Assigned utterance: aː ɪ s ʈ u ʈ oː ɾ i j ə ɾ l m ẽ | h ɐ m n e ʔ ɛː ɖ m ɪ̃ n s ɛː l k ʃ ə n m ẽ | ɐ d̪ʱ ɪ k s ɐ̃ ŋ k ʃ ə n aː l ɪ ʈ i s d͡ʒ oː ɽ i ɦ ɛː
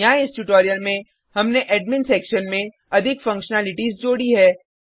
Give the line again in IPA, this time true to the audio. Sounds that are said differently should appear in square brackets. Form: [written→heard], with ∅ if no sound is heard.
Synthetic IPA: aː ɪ s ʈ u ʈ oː ɾ i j ə [ɾ→∅] l m ẽ | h ɐ m n e ʔ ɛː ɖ m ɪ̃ n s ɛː [l→∅] k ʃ ə n m ẽ | ɐ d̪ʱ ɪ k [s→f] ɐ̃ ŋ k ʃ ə n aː l ɪ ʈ i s d͡ʒ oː ɽ i ɦ ɛː